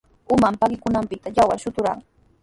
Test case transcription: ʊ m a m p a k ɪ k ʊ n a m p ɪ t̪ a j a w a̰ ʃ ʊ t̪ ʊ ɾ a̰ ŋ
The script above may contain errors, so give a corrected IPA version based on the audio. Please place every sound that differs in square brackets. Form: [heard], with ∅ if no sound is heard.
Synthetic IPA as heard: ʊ m a m p a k ɪ k ʊ n a m p ɪ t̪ a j a w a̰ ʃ ʊ t̪ ʊ ɾ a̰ ŋ